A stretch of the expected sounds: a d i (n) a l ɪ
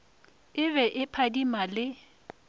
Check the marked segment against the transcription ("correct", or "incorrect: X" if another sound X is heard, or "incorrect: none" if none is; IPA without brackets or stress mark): incorrect: m